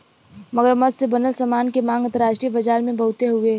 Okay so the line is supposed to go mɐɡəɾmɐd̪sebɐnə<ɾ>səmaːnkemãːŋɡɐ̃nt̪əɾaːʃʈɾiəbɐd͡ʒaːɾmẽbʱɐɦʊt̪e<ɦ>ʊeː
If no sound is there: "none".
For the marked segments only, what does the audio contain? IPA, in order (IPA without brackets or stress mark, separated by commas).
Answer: l, ɦ